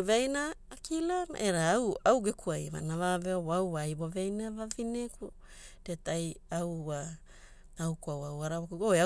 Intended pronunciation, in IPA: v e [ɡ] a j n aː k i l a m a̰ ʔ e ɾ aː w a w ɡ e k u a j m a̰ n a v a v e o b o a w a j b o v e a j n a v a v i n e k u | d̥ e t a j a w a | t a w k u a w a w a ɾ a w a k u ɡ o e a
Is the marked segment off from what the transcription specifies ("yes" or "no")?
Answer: yes